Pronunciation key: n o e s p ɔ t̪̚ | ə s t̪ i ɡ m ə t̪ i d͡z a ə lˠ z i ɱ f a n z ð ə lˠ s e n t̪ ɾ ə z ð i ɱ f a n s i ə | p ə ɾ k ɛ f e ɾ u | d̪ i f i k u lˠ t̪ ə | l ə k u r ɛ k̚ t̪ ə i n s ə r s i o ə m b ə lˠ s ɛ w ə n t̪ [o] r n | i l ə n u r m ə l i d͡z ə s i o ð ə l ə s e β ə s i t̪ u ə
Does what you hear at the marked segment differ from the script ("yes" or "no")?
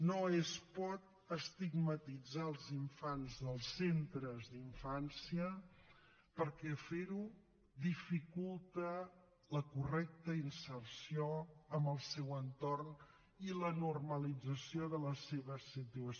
no